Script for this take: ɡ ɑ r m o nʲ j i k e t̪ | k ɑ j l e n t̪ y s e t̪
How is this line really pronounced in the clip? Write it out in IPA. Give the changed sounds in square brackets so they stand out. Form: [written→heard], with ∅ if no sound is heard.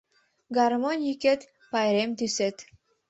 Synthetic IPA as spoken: ɡ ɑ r m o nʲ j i k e t̪ | [k→p] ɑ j [l→ɾ] e [n→m] t̪ y s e t̪